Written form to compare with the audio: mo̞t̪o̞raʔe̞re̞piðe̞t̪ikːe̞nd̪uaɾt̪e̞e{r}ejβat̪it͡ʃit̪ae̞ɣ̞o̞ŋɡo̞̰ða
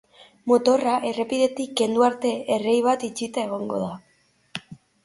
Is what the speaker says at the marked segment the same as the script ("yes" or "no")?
yes